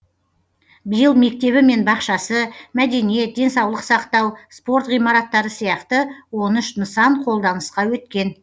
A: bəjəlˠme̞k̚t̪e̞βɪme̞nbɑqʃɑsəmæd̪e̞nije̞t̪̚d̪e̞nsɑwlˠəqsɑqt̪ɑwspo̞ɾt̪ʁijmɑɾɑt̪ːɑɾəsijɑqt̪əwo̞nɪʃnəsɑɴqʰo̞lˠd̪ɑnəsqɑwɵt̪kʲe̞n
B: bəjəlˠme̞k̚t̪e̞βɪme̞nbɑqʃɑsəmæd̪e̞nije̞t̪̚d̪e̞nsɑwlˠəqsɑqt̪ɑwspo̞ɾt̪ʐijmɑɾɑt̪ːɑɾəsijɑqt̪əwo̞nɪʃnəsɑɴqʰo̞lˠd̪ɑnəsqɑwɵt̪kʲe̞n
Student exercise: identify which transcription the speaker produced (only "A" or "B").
A